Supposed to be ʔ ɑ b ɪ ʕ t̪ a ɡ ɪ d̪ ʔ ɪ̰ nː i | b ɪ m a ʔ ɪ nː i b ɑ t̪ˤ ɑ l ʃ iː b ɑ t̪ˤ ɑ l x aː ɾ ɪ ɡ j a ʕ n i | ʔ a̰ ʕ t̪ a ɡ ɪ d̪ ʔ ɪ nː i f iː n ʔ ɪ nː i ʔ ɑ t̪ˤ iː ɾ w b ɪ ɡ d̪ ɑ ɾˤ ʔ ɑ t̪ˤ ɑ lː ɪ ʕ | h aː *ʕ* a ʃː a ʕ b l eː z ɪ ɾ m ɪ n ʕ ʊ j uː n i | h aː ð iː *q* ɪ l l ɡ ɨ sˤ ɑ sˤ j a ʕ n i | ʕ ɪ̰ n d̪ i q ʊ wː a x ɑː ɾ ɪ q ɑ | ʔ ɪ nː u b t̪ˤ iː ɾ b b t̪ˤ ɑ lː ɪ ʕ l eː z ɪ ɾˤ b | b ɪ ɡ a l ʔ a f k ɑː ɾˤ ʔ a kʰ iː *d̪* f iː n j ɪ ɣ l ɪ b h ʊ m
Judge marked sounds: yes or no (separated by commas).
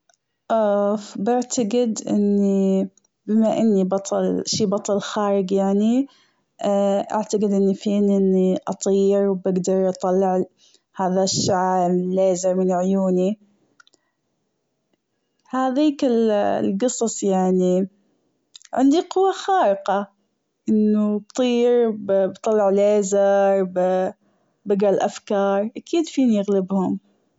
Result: no, no, yes